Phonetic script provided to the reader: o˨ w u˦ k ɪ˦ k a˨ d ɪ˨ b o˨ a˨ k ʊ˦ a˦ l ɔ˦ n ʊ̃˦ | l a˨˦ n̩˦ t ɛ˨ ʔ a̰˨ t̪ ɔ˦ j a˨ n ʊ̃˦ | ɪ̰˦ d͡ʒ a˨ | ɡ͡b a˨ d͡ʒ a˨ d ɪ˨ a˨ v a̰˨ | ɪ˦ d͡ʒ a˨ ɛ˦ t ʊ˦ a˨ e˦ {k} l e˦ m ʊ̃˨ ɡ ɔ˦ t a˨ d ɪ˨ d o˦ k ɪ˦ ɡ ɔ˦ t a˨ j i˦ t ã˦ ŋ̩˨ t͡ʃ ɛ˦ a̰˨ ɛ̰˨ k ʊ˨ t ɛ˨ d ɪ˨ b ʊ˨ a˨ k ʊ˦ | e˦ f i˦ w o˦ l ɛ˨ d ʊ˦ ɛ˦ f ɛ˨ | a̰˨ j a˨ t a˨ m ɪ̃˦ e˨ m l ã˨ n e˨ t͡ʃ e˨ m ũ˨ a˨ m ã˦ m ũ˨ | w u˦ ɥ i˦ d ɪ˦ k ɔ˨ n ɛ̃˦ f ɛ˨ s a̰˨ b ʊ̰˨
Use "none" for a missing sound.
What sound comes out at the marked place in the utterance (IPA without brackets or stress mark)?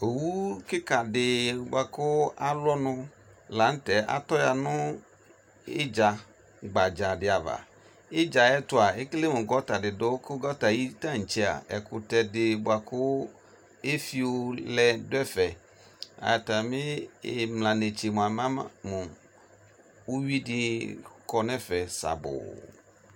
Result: k